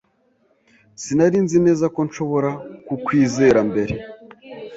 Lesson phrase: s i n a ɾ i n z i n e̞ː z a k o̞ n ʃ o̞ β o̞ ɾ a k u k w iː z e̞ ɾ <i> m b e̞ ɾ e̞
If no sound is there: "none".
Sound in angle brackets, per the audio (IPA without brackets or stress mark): a